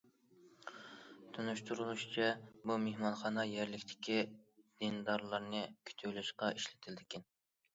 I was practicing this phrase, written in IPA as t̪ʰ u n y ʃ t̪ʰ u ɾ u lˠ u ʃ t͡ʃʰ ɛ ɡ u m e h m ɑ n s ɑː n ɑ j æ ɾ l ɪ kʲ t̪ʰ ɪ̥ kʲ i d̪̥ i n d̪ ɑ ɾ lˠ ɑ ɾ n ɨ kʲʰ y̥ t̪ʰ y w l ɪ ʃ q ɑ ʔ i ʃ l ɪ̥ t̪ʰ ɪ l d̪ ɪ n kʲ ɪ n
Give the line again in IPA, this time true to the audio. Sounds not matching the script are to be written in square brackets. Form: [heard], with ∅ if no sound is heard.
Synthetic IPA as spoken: t̪ʰ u n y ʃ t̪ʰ u ɾ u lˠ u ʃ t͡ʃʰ ɛ [b] u m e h m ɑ n [χ] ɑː n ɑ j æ ɾ l ɪ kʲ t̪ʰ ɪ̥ kʲ i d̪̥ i n d̪ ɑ ɾ lˠ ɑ ɾ n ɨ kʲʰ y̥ t̪ʰ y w l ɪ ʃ q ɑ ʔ i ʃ l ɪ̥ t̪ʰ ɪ l d̪ ɪ [∅] kʲ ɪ n